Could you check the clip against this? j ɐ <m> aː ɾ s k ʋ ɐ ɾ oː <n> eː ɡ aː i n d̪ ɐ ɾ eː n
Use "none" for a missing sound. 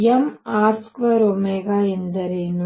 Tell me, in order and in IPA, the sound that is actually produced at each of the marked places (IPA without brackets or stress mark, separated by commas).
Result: m, m